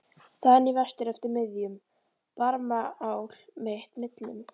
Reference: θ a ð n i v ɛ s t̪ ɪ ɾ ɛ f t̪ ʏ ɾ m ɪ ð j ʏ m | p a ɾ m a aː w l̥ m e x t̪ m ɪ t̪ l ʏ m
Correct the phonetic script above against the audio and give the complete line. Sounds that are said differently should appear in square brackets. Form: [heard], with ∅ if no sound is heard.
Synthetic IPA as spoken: θ a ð n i v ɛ s t̪ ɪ ɾ ɛ f t̪ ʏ ɾ m ɪ ð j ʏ m | p a ɾ m a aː w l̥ m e [h] t̪ m ɪ t̪ l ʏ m